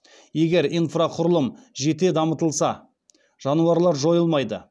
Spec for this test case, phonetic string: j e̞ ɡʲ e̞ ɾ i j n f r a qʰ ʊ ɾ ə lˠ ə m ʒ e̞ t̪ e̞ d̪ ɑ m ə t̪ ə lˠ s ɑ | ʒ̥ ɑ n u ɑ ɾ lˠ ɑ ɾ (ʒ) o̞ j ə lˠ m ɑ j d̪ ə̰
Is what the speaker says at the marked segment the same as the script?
yes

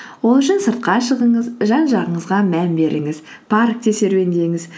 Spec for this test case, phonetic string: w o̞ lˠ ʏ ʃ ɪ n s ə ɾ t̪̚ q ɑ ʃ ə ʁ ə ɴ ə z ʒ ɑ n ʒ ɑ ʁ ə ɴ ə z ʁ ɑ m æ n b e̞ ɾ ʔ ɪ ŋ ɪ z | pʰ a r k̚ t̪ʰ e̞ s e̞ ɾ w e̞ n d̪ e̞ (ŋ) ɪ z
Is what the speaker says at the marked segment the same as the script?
yes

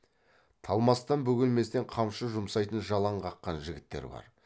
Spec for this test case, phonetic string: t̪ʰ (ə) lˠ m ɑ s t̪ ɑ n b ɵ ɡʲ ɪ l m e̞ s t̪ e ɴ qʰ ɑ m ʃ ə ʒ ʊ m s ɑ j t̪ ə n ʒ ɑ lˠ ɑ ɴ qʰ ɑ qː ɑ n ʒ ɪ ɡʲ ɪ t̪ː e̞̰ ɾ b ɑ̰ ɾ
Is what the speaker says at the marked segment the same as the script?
no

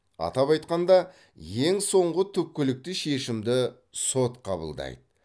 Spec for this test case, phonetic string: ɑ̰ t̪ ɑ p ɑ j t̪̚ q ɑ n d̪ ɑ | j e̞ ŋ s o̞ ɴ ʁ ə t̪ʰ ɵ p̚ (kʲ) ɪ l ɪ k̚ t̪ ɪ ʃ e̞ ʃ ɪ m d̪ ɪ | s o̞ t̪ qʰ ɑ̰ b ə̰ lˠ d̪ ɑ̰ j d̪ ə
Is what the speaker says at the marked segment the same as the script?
yes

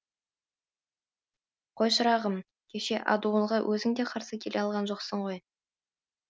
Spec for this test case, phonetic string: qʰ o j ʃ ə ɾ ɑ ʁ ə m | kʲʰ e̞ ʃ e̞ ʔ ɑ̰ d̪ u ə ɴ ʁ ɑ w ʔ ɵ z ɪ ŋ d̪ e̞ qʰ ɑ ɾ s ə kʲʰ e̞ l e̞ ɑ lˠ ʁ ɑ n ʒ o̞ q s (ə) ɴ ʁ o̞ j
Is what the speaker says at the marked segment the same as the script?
yes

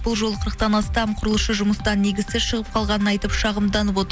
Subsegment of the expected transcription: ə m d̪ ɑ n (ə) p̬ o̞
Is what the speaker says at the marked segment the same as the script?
yes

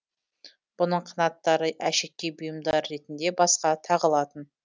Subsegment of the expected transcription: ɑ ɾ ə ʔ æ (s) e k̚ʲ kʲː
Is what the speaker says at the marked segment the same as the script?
no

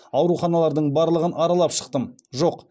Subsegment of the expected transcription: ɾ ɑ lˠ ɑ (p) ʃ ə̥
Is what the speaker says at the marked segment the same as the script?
yes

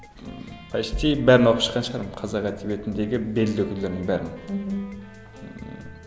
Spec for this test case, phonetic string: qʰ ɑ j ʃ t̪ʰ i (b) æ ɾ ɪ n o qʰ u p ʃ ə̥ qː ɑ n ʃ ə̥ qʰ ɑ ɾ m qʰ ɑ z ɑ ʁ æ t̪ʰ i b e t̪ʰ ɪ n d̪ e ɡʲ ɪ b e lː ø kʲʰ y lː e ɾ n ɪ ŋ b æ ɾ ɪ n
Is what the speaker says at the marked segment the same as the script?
yes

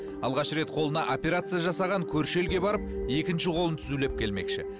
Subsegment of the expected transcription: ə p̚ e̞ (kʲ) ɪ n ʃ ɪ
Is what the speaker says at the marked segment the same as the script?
yes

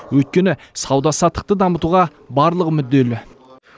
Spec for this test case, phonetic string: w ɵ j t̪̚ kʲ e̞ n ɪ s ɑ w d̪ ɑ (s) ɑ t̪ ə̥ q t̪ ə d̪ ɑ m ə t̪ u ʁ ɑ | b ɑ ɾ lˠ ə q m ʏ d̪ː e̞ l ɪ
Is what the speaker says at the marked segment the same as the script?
yes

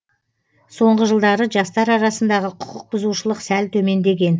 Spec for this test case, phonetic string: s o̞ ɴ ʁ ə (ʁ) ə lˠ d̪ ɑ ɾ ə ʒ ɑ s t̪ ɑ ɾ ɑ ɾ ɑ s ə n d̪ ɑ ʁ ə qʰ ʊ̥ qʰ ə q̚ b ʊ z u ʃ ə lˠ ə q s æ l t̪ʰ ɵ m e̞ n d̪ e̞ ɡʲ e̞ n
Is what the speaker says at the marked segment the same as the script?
no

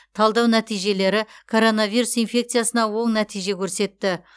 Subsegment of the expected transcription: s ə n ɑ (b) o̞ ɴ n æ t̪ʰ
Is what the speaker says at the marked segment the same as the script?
no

